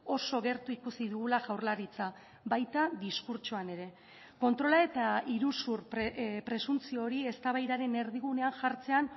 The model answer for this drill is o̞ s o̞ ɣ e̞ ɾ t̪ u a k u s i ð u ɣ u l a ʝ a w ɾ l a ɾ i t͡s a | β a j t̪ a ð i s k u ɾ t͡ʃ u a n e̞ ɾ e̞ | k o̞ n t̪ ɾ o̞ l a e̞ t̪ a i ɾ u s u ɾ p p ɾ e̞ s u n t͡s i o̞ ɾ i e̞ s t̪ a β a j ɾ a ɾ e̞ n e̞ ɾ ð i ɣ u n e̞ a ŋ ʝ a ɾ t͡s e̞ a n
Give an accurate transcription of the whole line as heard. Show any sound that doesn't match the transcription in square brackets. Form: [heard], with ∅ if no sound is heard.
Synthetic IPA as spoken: o̞ s o̞ ɣ e̞ ɾ t̪ u [i] k u s i ð u ɣ u l a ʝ a w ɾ l a ɾ i t͡s a | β a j t̪ a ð i s k u ɾ t͡ʃ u a n e̞ ɾ e̞ | k o̞ n t̪ ɾ o̞ l a e̞ t̪ a i ɾ u s u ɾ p p ɾ e̞ s u n t͡s i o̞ ɾ i e̞ s t̪ a β a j ɾ a ɾ e̞ n e̞ ɾ ð i ɣ u n e̞ a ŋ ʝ a ɾ t͡s e̞ a n